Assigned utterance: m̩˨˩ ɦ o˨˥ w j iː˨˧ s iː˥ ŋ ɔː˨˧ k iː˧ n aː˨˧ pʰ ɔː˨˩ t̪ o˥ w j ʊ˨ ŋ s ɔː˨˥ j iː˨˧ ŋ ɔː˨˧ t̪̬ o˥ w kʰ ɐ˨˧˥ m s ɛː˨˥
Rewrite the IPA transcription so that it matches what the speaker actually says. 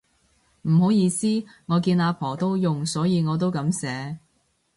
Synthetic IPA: m̩˨˩ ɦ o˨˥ w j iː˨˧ s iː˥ ŋ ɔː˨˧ k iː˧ n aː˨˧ pʰ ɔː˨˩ t̪ o˥ w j ʊ˨ ŋ s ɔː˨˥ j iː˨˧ ŋ ɔː˨˧ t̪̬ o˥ w k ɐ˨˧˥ m s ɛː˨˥